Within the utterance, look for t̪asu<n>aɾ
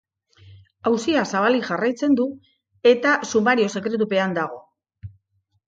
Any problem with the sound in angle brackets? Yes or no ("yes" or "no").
yes